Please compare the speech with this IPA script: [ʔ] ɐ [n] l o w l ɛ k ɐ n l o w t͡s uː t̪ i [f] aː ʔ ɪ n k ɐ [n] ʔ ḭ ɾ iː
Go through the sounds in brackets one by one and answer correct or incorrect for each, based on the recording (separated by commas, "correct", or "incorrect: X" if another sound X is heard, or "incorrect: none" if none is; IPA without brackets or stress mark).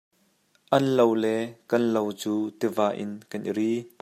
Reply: correct, correct, incorrect: v, correct